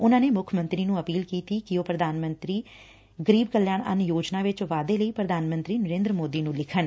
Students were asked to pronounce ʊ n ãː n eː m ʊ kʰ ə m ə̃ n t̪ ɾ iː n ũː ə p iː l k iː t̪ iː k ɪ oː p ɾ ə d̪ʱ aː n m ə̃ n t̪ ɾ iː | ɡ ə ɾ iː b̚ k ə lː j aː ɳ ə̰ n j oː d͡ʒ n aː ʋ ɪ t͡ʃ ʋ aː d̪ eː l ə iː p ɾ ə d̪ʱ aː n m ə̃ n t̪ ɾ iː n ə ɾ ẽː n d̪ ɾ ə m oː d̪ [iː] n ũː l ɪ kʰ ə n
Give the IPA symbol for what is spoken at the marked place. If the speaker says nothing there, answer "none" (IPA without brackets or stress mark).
iː